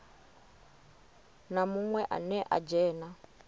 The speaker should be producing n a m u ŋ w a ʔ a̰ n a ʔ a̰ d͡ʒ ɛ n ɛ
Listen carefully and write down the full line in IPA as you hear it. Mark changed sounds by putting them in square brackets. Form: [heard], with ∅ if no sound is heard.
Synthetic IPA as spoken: n a m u ŋ w [ɛ] ʔ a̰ n [ɛ] ʔ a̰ d͡ʒ [ɛː] n [a]